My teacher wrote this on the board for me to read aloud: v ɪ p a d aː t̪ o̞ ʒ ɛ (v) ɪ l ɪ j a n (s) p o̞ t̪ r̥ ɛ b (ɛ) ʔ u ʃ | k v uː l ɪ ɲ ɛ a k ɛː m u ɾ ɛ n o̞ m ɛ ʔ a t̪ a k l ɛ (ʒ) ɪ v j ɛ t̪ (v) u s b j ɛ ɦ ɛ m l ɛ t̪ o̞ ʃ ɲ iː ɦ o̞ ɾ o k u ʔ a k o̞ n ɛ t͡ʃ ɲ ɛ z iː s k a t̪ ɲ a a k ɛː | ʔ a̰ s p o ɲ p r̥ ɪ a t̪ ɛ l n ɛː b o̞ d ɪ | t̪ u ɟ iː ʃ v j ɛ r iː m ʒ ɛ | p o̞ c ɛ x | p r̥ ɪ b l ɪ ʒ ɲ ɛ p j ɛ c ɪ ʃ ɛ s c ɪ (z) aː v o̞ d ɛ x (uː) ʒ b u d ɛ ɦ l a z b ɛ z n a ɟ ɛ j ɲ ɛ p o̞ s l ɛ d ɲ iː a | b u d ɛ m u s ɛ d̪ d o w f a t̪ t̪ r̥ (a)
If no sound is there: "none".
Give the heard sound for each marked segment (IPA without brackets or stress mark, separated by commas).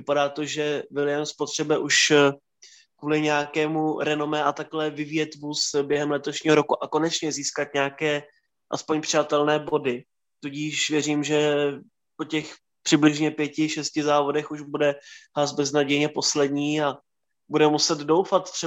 v, s, ɛ, v, v, z, u, ɛ